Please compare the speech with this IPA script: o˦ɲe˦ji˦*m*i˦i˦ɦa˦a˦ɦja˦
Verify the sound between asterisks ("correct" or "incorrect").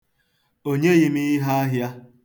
correct